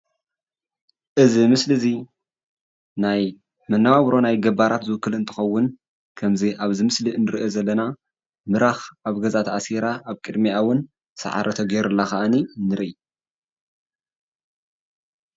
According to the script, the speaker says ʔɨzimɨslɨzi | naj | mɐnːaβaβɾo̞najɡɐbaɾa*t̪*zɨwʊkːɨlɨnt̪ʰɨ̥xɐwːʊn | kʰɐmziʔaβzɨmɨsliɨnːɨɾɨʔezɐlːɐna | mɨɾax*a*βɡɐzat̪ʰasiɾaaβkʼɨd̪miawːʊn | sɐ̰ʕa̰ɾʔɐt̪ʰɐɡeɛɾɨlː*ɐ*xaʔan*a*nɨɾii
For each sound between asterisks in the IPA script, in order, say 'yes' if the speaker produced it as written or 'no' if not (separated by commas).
yes, yes, no, no